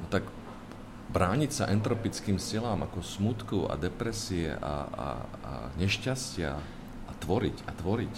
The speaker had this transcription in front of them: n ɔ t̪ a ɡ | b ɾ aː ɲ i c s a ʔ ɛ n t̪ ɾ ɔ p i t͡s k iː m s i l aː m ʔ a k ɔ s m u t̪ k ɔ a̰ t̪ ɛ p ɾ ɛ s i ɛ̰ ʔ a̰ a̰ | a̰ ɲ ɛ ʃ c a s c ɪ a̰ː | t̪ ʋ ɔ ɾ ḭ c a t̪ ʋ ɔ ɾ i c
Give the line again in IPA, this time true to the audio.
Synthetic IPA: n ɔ t̪ a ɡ | b ɾ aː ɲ i c s a ʔ ɛ n t̪ ɾ ɔ p i t͡s k iː m s i l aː m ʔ a k ɔ s m u t̪ k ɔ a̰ d̪ ɛ p ɾ ɛ s i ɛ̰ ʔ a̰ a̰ | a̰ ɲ ɛ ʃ c a s c ɪ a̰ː | t̪ ʋ ɔ ɾ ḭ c a t̪ ʋ ɔ ɾ i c